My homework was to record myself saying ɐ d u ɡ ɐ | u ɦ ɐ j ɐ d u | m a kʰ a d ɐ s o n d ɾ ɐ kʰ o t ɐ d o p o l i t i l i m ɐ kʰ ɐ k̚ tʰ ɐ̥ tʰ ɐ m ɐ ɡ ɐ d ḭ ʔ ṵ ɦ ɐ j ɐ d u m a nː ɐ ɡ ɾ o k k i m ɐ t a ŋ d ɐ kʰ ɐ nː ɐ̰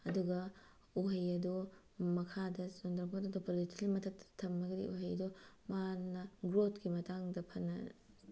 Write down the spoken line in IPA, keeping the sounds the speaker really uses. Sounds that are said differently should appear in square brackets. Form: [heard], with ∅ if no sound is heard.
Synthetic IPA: ɐ d u ɡ ɐ | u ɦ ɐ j ɐ d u | m [ɐ] kʰ a d ɐ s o n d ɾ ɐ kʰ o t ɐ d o p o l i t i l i m ɐ [tʰ] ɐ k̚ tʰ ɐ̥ tʰ ɐ m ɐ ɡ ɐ d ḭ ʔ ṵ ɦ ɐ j ɐ d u m a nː ɐ ɡ ɾ o [t] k i m ɐ t a ŋ d ɐ [pʰ] ɐ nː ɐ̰